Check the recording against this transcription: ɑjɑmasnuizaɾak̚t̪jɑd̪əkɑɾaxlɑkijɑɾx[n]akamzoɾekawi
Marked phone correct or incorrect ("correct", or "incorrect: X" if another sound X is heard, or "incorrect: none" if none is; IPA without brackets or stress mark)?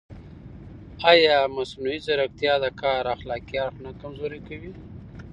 correct